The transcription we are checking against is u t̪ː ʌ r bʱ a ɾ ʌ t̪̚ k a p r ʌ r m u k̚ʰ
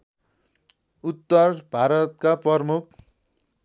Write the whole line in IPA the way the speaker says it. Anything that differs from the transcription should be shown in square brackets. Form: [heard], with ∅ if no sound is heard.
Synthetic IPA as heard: u t̪ː ʌ r bʱ a ɾ ʌ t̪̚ k a p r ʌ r m u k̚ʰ